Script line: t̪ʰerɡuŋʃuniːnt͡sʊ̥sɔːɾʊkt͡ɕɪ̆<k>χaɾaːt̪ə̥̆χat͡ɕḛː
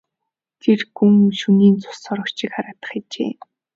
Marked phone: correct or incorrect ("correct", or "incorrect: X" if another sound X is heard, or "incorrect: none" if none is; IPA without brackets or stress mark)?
correct